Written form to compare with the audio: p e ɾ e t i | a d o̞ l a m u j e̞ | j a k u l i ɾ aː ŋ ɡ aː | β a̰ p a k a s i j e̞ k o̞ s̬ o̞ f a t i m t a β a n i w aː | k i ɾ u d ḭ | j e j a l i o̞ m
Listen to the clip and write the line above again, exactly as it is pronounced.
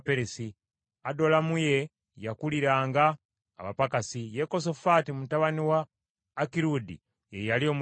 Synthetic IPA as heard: p e ɾ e s i | a d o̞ l a m u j e̞ | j a k u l i ɾ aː ŋ ɡ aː | β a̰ p a k a s i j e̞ k o̞ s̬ o̞ f a t i m t a β a n i w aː | k i ɾ u d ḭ | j e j a l i o̞ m